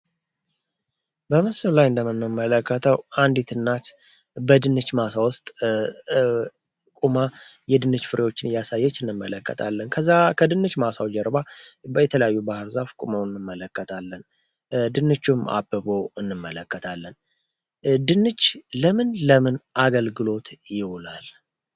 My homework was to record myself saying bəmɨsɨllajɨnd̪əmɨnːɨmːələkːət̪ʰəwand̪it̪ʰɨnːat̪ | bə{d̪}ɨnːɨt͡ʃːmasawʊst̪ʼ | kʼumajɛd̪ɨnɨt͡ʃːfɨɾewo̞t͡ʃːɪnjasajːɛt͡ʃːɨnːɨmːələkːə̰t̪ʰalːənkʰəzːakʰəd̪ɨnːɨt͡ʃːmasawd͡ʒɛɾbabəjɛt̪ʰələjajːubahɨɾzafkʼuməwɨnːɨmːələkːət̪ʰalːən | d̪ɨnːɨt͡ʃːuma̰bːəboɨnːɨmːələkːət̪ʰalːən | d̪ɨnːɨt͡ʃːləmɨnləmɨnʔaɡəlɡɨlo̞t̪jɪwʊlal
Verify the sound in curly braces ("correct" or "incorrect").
correct